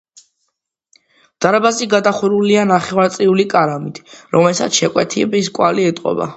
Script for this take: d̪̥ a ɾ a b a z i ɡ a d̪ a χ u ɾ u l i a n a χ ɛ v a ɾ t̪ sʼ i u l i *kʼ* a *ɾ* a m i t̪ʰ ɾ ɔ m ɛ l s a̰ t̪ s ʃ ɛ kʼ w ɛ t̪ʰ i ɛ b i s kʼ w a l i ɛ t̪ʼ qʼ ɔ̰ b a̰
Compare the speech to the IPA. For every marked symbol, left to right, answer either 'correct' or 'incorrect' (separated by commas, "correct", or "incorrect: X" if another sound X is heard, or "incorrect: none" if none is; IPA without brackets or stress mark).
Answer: correct, correct